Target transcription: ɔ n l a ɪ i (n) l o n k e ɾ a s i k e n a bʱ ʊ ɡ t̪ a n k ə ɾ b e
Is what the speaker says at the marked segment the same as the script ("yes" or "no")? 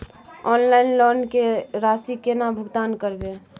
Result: yes